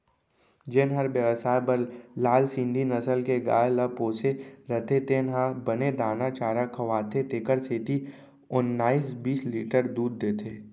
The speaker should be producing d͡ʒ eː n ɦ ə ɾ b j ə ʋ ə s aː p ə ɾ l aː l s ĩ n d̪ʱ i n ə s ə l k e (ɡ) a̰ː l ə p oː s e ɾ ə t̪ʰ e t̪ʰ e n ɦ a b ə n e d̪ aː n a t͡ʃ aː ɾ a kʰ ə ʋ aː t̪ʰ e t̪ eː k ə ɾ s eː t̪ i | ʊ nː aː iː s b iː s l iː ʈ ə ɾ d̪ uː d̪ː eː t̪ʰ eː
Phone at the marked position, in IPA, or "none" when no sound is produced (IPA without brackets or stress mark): ɡ